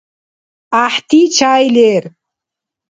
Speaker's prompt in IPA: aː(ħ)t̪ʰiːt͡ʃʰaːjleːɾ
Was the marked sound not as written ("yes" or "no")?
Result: no